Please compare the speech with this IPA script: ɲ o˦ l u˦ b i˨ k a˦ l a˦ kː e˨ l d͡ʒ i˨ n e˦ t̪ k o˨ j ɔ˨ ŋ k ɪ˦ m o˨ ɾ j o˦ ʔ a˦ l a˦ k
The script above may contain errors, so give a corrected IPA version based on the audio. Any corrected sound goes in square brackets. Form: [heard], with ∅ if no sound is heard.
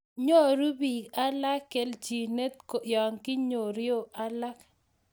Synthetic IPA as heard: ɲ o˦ [ɾ] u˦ b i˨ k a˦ l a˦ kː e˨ l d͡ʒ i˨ n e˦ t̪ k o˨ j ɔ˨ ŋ k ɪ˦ [ɲ] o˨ ɾ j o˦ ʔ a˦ l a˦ k